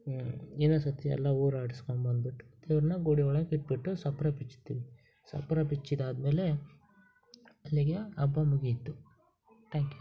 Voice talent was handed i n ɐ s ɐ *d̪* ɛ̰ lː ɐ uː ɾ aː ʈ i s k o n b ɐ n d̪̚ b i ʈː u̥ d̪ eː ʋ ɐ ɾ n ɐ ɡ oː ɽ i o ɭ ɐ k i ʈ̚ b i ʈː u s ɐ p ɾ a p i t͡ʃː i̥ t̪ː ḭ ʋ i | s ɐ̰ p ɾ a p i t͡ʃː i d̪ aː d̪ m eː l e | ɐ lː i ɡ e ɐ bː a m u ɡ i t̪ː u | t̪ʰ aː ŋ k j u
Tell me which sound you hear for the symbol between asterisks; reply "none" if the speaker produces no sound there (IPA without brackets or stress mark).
t̪